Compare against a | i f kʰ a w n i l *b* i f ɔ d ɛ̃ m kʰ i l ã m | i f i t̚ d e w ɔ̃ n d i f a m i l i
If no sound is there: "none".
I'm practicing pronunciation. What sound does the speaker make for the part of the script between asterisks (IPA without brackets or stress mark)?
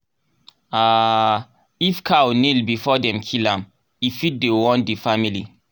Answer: b